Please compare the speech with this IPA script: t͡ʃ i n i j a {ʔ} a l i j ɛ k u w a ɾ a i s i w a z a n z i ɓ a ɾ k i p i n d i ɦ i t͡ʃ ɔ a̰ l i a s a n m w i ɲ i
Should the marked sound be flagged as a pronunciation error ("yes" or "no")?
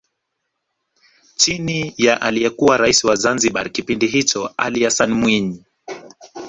no